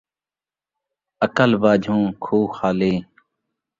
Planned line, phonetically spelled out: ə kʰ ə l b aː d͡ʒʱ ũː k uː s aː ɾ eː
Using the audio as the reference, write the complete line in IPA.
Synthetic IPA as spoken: ə k ə l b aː d͡ʒʱ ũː kʰ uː x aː l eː

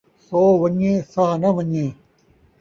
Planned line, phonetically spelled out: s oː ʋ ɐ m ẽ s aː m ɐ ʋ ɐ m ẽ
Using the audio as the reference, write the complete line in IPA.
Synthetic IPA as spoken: s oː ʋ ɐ ɲ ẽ s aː n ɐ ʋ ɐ ɲ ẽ

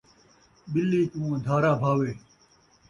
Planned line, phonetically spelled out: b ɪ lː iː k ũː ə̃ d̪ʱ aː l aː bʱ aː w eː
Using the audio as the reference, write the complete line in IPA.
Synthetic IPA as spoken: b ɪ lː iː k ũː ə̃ d̪ʱ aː ɾ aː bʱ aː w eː

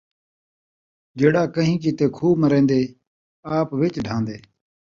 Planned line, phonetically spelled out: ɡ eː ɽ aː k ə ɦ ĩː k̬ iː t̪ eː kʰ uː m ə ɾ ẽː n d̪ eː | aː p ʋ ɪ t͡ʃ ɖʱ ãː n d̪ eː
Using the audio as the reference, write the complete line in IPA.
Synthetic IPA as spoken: ɡ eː ɽ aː k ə ɦ ĩː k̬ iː t̪ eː kʰ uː m ə ɾ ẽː n d̪ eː | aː p ʋ ɪ t͡ʃ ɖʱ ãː n d̪ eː

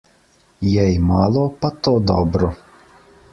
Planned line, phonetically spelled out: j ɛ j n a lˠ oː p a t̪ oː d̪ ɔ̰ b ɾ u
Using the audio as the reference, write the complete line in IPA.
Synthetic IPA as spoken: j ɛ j m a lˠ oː p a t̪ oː d̪ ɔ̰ b ɾ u

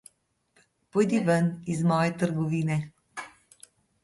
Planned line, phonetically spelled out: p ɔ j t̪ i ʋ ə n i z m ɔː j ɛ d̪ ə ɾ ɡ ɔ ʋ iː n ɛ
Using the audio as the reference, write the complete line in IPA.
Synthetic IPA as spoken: p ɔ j d̪ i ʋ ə n i z m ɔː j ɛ t̪ ə ɾ ɡ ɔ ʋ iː n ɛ

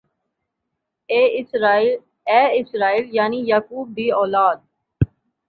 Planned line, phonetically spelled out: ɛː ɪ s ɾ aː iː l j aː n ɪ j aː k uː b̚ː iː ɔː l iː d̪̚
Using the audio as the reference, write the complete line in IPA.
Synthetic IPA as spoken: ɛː ɪ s ɾ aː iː l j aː n i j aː k uː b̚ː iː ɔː l aː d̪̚

